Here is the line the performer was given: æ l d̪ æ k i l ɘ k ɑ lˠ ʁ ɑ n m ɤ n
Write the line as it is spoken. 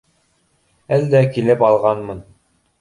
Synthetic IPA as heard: æ l d̪ æ k i l ɘ p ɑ lˠ ʁ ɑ n m ɤ n